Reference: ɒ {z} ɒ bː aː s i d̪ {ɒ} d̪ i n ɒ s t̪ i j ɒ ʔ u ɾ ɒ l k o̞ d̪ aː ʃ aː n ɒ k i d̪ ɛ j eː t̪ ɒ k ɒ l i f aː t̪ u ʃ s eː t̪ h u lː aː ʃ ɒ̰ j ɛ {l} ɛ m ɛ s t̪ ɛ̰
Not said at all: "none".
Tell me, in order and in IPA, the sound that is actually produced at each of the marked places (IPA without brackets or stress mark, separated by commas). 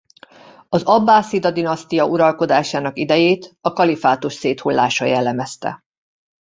z, ɒ, lː